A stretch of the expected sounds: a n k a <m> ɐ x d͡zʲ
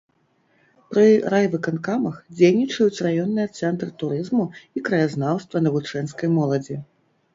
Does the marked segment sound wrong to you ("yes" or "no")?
no